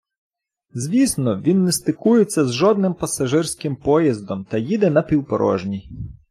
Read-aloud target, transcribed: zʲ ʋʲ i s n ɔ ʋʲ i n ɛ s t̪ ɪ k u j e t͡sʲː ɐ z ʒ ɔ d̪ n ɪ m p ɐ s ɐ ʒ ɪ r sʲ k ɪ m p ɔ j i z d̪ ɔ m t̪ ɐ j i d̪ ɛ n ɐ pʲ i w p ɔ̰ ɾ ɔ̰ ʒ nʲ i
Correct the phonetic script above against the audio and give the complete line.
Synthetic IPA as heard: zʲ ʋʲ i s n ɔ ʋʲ i nː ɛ s t̪ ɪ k u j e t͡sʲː ɐ z ʒ ɔ d̪ n ɪ m p ɐ s ɐ ʒ ɪ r sʲ k ɪ m p ɔ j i z d̪ ɔ m t̪ ɐ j i d̪ ɛ n ɐ pʲ i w p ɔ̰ ɾ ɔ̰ ʒ nʲ i